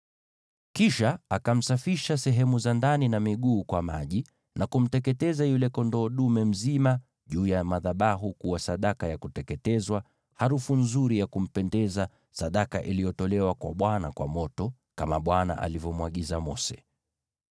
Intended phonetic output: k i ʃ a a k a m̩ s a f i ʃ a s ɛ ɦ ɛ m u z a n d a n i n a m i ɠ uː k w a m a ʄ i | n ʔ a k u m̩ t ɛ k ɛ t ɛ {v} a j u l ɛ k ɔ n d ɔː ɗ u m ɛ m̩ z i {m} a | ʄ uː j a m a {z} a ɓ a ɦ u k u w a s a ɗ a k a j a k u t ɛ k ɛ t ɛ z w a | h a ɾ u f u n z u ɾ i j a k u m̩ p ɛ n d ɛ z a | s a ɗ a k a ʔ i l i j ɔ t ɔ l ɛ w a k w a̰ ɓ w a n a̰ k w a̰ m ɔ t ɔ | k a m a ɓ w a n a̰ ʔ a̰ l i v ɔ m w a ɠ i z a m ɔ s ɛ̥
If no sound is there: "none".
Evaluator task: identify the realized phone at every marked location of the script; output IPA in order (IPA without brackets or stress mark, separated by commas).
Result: z, m, ð